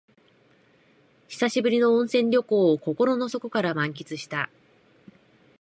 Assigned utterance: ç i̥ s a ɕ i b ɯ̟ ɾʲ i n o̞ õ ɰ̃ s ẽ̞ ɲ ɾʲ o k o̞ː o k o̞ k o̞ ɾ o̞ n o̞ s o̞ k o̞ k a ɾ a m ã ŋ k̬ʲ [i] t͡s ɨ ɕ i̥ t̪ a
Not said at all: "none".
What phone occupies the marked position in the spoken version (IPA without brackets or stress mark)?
i